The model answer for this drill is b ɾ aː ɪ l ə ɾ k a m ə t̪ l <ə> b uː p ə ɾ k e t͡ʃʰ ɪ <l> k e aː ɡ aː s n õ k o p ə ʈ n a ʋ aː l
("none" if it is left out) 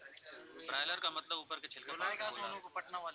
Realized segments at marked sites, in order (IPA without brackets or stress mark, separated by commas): ə, l